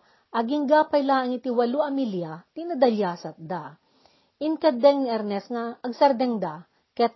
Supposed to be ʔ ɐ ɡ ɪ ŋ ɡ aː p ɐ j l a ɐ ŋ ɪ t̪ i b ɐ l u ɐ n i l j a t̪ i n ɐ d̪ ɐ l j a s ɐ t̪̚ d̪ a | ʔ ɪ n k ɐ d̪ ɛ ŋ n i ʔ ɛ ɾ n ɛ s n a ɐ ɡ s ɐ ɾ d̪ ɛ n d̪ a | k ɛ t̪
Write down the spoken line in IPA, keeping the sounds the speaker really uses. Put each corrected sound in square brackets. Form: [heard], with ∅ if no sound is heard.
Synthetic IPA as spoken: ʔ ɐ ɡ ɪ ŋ ɡ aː p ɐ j l a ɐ ŋ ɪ t̪ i [w] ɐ l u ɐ [m] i l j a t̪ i n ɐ d̪ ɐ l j a s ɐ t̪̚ d̪ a | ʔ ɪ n k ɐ d̪ ɛ ŋ n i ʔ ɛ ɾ n ɛ s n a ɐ ɡ s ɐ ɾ d̪ ɛ [ŋ] d̪ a | k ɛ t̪